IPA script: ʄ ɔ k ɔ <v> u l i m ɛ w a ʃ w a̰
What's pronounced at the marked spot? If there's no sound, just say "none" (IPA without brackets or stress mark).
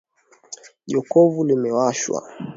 v